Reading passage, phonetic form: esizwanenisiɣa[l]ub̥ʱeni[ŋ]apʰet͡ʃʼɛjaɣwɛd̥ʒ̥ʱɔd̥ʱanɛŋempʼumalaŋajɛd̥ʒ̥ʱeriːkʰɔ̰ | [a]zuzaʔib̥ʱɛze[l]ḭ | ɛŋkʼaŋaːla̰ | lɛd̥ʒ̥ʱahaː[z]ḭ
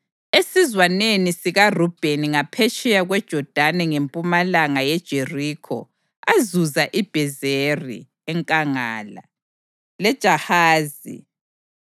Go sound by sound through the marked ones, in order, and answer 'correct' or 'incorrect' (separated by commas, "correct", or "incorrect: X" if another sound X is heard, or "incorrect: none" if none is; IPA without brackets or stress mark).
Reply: incorrect: r, correct, correct, incorrect: r, correct